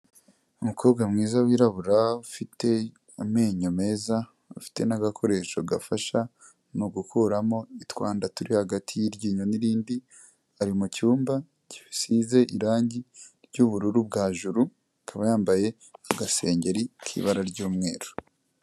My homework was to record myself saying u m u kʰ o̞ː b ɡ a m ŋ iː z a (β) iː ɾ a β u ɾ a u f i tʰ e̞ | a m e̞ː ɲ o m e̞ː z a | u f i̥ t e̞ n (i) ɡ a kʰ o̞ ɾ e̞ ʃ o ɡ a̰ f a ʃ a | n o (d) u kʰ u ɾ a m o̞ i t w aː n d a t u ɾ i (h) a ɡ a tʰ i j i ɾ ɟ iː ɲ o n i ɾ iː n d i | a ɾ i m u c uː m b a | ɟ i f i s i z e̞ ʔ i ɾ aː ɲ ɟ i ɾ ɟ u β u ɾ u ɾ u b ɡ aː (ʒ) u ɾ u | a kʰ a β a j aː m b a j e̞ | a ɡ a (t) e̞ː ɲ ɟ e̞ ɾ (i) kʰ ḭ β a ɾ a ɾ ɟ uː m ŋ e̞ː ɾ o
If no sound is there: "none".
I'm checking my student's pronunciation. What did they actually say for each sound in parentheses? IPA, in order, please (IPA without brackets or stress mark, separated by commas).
w, a, ɡ, h, ʒ, s, i